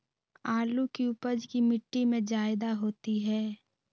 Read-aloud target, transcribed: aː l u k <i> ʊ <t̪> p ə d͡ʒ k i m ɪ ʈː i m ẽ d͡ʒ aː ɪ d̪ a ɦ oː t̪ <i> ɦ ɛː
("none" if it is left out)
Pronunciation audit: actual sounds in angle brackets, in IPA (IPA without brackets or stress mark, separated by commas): i, none, i